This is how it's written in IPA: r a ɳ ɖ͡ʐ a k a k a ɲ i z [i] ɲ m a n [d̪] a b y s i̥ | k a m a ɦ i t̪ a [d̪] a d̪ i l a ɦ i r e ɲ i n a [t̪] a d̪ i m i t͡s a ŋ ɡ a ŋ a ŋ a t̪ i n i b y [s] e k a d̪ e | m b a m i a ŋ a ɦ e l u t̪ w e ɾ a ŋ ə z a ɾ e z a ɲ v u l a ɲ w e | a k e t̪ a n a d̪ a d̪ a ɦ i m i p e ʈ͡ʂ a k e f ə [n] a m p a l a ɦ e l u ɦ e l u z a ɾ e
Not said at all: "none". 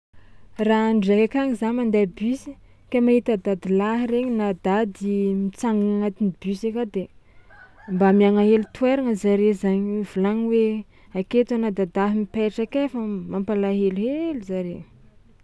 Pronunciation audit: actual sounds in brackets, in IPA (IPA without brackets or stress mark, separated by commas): a, d̪, d̪, d̪, s, m